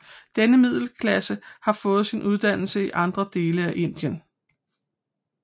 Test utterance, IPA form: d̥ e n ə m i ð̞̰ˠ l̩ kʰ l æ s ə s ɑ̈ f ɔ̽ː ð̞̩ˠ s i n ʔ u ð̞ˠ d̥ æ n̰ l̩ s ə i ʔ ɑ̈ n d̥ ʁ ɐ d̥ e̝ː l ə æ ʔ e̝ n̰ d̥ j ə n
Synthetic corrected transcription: d̥ e n ə m i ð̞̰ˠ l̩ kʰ l æ s ə h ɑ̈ f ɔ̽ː ð̞̩ˠ s i n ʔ u ð̞ˠ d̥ æ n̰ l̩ s ə i ʔ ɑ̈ n d̥ ʁ ɐ d̥ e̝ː l ə æ ʔ e̝ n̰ d̥ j ə n